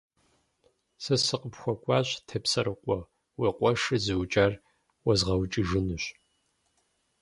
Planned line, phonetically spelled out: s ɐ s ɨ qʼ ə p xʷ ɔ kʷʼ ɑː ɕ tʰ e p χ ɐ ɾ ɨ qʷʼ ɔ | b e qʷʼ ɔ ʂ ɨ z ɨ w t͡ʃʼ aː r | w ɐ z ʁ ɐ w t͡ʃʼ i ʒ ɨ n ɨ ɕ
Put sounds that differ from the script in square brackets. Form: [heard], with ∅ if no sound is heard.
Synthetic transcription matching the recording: s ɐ s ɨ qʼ ə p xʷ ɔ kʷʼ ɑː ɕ tʰ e p [s] ɐ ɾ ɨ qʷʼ ɔ | [w] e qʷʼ ɔ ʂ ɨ z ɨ w t͡ʃʼ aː r | w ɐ z ʁ ɐ w t͡ʃʼ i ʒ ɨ n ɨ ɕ